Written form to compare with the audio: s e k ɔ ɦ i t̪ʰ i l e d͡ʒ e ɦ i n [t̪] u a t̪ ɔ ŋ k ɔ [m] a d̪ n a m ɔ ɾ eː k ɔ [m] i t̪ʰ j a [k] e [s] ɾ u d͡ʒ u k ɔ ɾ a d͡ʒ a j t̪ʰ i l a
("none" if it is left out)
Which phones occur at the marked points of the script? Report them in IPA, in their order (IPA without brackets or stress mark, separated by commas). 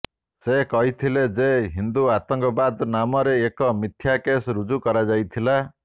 d̪, b, m, k, s